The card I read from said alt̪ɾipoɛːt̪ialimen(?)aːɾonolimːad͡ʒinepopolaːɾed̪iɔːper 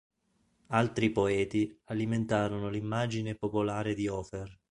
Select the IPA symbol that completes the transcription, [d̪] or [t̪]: t̪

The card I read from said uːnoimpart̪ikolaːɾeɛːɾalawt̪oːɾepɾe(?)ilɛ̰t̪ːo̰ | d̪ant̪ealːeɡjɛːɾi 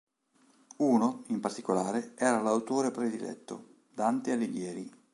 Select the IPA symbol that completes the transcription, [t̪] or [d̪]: d̪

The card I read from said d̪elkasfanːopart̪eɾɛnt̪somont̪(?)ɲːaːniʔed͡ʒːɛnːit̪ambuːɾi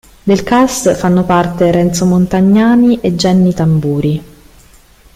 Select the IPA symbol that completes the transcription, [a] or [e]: a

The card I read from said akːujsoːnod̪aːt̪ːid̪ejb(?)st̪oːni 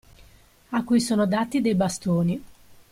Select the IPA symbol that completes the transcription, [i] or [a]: a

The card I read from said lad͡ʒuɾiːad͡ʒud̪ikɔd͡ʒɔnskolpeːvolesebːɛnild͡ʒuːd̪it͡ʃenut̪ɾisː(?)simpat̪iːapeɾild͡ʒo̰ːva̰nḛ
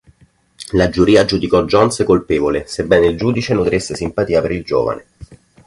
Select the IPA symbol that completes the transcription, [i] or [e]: e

